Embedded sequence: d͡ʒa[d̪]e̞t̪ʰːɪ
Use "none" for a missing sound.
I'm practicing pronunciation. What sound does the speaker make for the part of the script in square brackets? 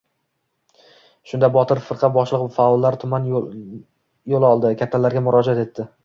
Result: t̪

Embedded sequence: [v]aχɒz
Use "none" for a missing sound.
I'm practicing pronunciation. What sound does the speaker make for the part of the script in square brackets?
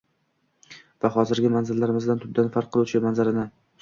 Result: v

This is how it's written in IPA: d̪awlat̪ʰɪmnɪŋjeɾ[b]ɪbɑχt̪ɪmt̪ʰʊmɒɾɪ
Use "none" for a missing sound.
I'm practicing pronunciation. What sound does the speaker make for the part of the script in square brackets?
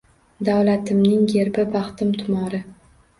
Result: b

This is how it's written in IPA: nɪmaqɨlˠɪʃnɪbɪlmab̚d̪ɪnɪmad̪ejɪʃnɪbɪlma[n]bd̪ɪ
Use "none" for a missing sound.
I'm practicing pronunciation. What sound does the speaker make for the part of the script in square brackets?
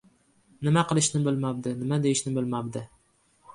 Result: none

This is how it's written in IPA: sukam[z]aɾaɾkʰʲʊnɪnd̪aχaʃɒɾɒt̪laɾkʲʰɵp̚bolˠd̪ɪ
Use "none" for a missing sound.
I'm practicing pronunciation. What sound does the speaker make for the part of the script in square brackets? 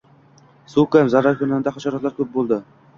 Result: z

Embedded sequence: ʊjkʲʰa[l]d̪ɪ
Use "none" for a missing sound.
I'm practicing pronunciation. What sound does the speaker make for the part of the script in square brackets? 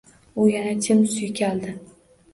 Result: l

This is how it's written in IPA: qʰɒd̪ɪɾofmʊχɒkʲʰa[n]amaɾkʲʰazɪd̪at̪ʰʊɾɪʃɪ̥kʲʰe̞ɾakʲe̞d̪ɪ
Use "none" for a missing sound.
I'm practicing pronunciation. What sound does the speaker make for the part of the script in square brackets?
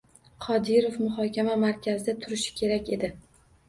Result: m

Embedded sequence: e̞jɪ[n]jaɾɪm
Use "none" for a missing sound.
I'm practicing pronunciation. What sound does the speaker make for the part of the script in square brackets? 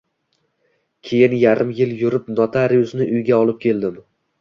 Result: n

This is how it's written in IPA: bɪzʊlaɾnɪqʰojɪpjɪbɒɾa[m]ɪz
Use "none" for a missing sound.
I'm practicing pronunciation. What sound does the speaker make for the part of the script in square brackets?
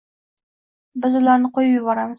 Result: m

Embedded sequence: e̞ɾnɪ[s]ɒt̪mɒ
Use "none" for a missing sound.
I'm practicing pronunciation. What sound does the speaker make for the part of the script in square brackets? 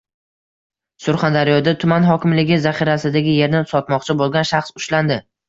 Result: s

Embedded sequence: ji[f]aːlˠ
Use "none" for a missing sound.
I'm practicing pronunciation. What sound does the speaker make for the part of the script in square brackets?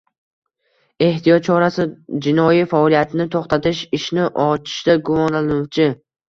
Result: f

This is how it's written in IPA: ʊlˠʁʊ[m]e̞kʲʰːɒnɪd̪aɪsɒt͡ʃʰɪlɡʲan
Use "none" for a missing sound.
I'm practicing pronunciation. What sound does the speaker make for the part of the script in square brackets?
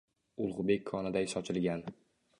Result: b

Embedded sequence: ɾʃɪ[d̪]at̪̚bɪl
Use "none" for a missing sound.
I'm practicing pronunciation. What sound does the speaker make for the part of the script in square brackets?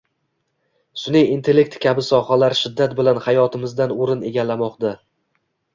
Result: d̪ː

